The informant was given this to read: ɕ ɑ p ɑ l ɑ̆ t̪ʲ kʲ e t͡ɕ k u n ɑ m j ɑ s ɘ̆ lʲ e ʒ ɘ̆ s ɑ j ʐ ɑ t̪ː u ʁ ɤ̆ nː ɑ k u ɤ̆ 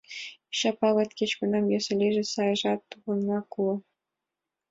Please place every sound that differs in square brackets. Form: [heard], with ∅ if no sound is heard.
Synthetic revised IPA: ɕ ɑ p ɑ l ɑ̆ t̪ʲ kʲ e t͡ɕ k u n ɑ m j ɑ s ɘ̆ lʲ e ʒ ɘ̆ s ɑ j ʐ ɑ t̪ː u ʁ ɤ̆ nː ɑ k u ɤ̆